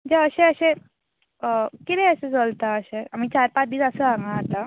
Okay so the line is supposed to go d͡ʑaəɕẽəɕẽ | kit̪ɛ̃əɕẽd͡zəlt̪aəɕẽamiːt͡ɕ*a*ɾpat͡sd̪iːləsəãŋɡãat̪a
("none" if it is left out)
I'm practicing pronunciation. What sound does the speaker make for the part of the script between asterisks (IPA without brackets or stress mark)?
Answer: a